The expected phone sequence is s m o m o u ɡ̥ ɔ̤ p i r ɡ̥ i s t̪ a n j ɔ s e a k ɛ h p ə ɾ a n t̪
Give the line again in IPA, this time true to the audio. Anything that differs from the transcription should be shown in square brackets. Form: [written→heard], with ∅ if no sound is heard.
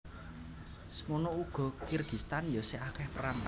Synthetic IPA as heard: s m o [m→n] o u ɡ̥ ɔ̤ [p→k] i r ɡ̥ i s t̪ a n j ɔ s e a k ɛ h p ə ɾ a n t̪